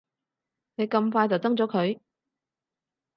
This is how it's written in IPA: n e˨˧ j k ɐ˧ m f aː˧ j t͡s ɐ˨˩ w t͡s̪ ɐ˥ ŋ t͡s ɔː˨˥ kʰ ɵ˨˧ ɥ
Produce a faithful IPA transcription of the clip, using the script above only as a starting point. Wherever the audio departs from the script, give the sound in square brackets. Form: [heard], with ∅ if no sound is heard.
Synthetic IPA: n e˨˧ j k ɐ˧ m f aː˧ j t͡s ɐ˨˩ w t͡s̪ ɐ˥ ŋ t͡s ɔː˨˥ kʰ ɵ˨˧ ɥ